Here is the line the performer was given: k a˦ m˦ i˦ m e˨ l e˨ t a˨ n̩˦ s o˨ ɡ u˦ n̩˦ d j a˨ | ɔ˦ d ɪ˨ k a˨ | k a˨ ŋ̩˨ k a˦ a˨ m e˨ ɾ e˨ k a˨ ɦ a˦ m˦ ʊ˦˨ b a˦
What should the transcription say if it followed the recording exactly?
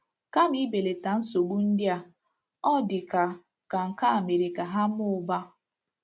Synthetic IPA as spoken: k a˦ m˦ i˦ b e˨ l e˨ t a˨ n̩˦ s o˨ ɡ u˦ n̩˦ d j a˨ | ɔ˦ d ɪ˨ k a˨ | k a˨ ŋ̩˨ k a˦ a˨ m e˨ ɾ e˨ k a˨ ɦ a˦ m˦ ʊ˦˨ b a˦